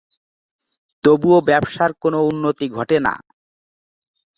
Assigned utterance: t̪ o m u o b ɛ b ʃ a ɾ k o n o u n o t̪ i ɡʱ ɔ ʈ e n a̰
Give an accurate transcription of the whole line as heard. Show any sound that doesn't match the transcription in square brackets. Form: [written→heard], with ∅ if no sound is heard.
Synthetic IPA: t̪ o [m→b] u o b ɛ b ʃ a ɾ k o n o u [n→nː] o t̪ i ɡʱ ɔ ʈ e n a̰